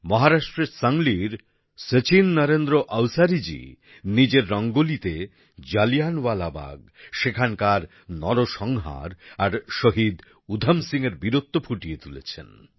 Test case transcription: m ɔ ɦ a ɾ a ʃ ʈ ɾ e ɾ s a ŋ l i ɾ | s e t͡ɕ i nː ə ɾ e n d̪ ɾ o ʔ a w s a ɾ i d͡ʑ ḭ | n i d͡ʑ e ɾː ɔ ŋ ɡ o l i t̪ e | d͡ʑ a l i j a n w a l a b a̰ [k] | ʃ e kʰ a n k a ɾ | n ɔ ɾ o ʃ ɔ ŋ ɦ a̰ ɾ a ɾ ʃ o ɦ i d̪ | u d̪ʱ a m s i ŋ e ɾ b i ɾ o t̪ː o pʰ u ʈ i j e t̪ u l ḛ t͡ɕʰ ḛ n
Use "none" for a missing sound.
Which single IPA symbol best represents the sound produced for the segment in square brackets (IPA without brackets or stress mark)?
ɡ